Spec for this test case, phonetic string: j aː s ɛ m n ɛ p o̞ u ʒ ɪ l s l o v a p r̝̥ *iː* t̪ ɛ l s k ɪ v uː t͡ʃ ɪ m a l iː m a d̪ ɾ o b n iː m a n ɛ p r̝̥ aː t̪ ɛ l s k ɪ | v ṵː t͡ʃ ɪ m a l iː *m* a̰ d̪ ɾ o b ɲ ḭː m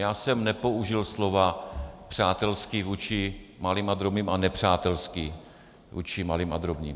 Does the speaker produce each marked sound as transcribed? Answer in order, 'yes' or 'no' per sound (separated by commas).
no, yes